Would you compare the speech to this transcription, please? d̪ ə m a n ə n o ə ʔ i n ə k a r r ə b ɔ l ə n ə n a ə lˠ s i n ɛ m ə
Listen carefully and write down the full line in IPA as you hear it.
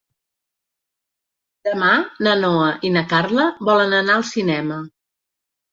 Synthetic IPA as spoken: d̪ ə m a n ə n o ə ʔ i n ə k a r l ə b ɔ l ə n ə n a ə lˠ s i n ɛ m ə